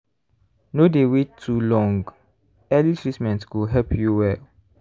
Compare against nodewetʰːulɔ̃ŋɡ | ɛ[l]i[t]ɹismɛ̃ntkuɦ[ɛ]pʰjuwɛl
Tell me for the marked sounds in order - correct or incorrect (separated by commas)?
correct, incorrect, correct